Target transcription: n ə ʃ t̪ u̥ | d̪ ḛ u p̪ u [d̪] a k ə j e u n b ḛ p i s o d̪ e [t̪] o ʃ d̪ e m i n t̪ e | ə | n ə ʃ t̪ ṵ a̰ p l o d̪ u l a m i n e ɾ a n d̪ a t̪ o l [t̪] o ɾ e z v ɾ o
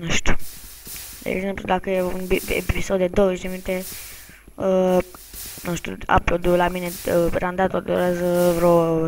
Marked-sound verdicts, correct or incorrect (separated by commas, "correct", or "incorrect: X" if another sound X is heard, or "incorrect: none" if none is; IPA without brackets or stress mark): correct, incorrect: d̪, incorrect: d̪